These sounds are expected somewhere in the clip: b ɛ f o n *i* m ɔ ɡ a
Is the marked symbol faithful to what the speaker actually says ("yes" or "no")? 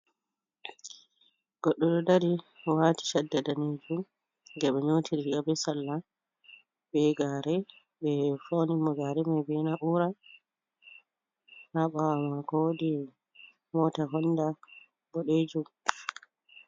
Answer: yes